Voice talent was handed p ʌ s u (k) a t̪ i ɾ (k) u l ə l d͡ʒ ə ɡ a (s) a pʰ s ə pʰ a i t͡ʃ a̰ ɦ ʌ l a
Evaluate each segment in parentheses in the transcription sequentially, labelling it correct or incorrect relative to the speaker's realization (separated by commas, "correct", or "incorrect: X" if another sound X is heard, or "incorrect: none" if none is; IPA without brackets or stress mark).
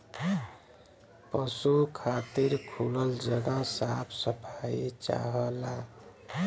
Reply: incorrect: kʰ, incorrect: kʰ, correct